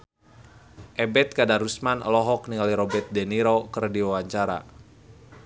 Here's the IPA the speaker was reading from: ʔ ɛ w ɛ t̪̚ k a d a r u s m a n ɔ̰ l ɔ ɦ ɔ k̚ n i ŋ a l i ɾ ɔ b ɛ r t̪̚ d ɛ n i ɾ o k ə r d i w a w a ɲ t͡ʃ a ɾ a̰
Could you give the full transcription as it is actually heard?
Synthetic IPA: ʔ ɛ b ɛ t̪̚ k a d a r u s m a n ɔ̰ l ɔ ɦ ɔ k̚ n i ŋ a l i ɾ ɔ b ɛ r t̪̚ d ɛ n i ɾ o k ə r d i w a w a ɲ t͡ʃ a ɾ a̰